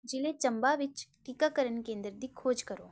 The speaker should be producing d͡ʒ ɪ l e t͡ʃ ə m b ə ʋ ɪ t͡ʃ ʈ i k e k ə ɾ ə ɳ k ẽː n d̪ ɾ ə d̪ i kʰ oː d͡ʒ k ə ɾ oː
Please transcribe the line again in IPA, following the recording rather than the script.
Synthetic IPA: d͡ʒ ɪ l e t͡ʃ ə m b a ʋ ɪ t͡ʃ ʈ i k a k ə ɾ ə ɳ k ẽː n d̪ ɾ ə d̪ i kʰ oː d͡ʒ k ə ɾ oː